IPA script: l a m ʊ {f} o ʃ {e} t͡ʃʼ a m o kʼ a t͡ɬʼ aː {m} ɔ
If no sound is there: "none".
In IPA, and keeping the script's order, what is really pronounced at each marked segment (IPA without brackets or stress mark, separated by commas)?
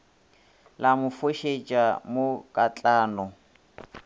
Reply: f, e, n